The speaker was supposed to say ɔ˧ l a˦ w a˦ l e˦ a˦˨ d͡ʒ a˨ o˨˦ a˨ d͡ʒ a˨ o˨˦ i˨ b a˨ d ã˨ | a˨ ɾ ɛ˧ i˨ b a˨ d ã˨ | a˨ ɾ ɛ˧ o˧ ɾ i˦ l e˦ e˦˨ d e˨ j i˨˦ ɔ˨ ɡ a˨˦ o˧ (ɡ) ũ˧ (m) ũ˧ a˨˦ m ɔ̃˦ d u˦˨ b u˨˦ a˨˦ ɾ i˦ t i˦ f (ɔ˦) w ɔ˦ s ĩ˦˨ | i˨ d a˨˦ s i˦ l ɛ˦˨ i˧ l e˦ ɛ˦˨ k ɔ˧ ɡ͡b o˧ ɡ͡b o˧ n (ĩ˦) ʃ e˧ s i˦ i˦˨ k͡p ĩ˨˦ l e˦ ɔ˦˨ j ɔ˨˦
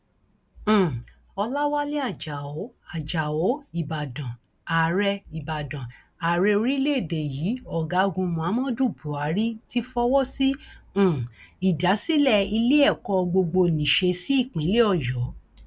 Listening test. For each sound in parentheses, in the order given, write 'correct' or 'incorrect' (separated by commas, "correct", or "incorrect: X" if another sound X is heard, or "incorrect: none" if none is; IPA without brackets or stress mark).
correct, correct, correct, incorrect: ĩ˨